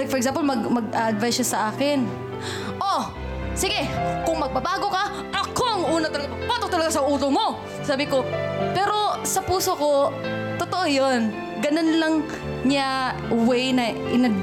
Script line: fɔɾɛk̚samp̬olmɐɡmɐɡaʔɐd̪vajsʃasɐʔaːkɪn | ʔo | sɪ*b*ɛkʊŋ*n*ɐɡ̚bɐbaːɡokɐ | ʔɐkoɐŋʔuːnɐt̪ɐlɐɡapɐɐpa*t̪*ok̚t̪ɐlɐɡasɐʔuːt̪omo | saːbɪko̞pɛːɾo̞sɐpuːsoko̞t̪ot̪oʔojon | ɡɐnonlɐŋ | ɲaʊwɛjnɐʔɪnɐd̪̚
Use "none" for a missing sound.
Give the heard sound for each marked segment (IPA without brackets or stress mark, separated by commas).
ɡ, m, t̪